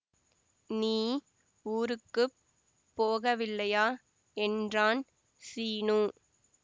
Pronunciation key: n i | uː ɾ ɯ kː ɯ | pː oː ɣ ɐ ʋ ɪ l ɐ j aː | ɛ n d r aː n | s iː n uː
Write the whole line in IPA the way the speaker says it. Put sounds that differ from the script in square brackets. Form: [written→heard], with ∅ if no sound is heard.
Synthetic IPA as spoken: n [i→iː] | uː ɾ ɯ kː ɯ | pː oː ɣ ɐ ʋ ɪ [l→lː] ɐ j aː | ɛ n d r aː n | s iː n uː